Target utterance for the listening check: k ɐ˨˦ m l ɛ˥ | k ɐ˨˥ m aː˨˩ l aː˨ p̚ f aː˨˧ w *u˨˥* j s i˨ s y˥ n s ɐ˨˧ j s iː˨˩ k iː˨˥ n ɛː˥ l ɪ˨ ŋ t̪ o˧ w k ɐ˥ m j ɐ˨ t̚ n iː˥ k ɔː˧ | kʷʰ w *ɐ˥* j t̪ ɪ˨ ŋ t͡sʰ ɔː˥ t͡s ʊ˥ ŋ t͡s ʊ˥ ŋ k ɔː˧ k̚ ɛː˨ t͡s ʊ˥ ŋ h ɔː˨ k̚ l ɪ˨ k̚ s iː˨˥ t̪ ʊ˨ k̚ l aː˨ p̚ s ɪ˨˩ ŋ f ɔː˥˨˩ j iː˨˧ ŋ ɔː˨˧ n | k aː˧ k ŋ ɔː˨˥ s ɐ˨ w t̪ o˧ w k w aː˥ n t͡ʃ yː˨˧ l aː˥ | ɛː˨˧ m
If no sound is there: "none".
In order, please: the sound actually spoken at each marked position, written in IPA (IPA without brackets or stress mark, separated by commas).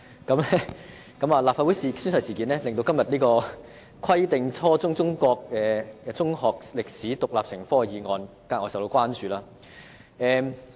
u˨˥, ɐ˥